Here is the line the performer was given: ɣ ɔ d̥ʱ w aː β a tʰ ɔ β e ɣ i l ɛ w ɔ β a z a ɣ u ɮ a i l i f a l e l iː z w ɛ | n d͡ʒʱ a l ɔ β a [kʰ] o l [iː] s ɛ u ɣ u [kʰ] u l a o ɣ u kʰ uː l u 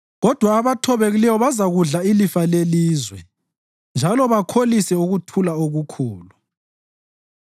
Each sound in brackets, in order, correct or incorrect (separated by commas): correct, incorrect, incorrect